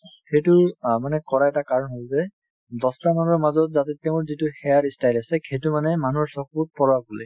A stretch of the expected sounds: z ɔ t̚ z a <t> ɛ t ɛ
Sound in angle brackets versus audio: correct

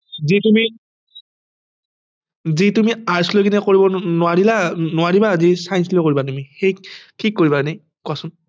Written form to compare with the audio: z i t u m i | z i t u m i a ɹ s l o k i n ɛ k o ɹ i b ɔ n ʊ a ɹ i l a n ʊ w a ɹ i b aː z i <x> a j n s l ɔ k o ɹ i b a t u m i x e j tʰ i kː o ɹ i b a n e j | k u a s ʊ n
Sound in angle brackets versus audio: incorrect: s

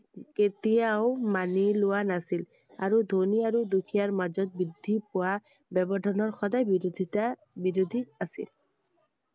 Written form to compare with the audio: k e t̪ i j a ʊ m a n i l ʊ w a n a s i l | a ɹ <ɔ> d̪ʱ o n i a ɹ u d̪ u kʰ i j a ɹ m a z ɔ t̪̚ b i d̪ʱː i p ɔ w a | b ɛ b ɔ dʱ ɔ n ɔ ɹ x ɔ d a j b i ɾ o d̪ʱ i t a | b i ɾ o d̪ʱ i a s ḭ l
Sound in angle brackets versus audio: incorrect: u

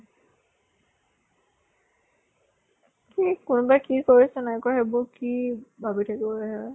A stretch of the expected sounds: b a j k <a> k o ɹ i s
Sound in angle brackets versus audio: incorrect: i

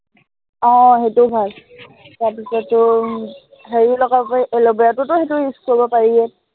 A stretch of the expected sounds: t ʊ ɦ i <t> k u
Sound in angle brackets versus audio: incorrect: s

